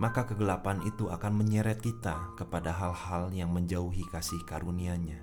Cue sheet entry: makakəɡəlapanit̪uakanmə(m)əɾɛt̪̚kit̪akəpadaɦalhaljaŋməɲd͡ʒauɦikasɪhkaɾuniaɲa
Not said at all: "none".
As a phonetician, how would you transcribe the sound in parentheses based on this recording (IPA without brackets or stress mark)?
ɲ